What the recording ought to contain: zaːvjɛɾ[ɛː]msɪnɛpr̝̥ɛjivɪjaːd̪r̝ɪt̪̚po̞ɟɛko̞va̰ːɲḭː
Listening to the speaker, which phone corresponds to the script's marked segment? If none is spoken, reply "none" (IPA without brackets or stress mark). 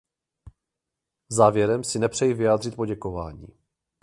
ɛ